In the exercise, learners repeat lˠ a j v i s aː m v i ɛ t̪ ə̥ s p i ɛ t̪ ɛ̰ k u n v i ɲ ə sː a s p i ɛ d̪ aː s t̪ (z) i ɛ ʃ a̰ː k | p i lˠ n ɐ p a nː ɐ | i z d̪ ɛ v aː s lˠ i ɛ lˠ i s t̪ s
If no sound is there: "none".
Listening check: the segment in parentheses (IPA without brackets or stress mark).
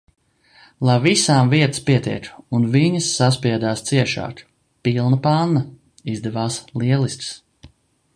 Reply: s